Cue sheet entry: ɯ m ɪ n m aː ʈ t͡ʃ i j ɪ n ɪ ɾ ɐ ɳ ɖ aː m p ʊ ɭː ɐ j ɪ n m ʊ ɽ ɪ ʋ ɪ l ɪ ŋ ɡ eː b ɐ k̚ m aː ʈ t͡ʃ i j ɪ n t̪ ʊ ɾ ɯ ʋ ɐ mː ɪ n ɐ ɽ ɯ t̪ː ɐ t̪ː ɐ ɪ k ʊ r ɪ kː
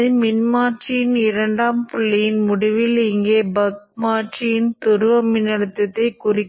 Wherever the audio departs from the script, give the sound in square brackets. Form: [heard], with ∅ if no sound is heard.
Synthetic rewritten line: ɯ m ɪ n m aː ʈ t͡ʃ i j ɪ n ɪ ɾ ɐ ɳ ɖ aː m p ʊ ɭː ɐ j ɪ n m ʊ ɽ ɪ ʋ ɪ l ɪ ŋ ɡ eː b ɐ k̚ m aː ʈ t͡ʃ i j ɪ n t̪ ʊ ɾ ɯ ʋ ɐ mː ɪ n ɐ ɽ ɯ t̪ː ɐ t̪ː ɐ ɪ k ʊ r ɪ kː

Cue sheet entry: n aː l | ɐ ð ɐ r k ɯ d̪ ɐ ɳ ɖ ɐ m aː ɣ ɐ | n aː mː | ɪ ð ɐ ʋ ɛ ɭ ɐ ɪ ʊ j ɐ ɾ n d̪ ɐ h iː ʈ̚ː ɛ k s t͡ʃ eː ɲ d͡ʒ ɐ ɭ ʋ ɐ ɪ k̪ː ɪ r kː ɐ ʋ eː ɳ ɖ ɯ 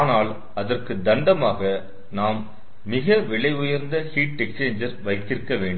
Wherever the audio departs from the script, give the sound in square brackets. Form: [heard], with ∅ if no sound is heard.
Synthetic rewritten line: n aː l | ɐ ð ɐ r k ɯ d̪ ɐ ɳ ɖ ɐ m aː ɣ ɐ | n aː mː | ɪ [ɣ] ɐ ʋ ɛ ɭ ɐ ɪ ʊ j ɐ ɾ n d̪ ɐ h iː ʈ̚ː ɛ k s t͡ʃ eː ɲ d͡ʒ ɐ [ɾ] ʋ ɐ ɪ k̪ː ɪ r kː ɐ ʋ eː ɳ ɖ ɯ

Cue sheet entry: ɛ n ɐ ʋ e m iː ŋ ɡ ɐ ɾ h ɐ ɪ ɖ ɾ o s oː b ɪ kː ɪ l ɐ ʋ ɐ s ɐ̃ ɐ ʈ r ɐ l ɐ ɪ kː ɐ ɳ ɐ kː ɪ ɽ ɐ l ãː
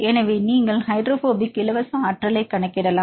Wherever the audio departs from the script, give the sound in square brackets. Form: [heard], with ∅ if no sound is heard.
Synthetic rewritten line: ɛ n ɐ ʋ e [n] iː ŋ ɡ ɐ [ɭ] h ɐ ɪ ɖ ɾ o [f] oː b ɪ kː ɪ l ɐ ʋ ɐ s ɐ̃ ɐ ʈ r ɐ l ɐ ɪ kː ɐ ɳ ɐ kː ɪ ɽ ɐ l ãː

